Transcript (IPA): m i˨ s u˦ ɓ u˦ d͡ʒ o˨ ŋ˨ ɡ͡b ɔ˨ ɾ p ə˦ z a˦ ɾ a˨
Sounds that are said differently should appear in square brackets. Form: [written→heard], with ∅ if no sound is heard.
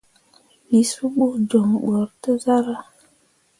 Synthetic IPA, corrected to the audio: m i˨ s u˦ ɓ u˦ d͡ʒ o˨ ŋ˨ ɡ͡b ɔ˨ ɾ [p→t] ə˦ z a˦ ɾ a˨